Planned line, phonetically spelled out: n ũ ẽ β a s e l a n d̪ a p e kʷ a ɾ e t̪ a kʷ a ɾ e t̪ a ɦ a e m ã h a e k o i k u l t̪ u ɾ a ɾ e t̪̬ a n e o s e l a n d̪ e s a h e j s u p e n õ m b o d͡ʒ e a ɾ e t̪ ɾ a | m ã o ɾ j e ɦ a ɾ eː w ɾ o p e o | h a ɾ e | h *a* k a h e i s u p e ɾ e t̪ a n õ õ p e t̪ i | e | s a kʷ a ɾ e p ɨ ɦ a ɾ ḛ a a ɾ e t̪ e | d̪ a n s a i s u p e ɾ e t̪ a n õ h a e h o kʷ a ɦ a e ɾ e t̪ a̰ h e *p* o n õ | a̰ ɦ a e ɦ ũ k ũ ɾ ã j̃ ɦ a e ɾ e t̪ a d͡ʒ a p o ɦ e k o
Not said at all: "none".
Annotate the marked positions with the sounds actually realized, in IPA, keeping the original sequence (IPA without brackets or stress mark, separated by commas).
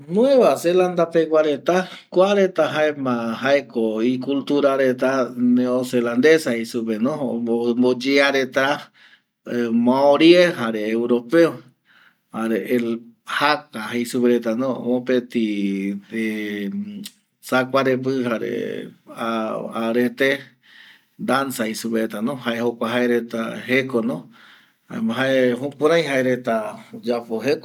a, k